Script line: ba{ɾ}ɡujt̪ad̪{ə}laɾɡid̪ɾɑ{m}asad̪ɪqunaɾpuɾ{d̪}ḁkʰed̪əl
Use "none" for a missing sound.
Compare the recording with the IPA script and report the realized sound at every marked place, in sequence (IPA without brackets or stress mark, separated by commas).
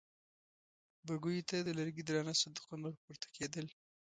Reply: none, ə, n, t̪